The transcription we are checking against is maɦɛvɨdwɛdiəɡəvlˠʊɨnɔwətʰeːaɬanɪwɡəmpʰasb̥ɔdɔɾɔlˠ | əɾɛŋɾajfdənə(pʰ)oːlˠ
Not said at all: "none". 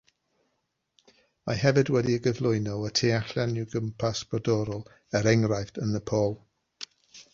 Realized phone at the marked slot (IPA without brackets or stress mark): pʰ